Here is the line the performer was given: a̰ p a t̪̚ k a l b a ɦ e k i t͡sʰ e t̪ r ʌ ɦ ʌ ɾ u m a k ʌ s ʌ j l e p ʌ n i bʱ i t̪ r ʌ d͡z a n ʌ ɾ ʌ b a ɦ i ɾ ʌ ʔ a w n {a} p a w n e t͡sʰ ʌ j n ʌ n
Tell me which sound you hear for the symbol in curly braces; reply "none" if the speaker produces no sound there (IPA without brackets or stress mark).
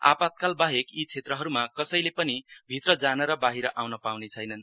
ʌ